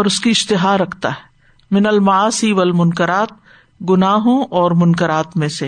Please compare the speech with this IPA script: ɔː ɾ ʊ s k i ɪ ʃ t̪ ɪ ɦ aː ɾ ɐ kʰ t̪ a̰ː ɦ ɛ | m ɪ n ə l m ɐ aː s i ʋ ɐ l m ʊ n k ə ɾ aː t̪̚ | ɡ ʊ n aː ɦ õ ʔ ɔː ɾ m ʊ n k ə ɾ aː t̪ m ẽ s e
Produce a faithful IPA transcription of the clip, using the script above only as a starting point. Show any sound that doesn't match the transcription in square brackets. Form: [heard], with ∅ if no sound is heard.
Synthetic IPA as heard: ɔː ɾ ʊ s k i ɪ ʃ t̪ ɪ ɦ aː ɾ ɐ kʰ t̪ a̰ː ɦ ɛ | m ɪ n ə l m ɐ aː s i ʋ ɐ l m ʊ n k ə ɾ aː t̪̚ | ɡ ʊ n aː ɦ õ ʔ ɔː ɾ m ʊ n k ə ɾ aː t̪ m ẽ s e